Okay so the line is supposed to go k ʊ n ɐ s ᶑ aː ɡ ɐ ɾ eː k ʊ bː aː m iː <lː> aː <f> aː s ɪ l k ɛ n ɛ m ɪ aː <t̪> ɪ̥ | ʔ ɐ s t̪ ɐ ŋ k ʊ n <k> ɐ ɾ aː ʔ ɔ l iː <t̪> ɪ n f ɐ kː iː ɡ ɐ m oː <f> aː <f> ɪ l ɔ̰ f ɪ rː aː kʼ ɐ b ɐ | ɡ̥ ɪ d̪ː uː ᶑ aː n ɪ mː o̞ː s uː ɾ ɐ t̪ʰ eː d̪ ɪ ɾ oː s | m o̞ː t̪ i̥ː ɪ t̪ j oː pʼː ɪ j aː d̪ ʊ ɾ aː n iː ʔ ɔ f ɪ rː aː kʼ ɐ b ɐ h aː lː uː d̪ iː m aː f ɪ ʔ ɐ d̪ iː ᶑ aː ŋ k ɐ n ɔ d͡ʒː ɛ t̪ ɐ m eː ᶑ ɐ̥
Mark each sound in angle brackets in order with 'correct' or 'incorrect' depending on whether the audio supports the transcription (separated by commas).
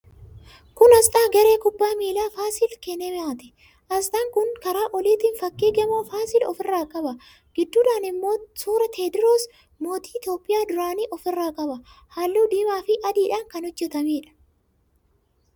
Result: incorrect, correct, correct, correct, correct, correct, incorrect